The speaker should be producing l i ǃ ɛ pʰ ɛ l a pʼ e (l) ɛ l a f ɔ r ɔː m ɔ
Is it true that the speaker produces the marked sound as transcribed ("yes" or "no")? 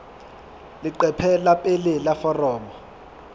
yes